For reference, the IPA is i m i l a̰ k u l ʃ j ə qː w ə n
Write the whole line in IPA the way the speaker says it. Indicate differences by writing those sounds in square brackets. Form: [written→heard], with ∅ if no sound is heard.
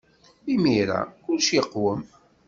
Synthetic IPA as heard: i m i [l→ɾ] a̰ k [u→ʊ] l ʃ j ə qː w ə [n→m]